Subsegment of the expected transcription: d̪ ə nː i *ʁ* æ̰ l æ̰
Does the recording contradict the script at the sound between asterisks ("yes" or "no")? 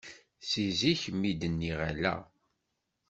no